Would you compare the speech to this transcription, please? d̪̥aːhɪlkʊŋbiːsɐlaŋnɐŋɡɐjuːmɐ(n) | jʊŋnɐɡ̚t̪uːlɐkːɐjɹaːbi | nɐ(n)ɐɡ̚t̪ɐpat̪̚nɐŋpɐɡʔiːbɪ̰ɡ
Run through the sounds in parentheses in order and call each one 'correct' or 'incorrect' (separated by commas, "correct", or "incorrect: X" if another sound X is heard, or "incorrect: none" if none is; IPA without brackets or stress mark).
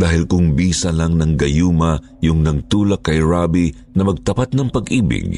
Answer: incorrect: none, incorrect: m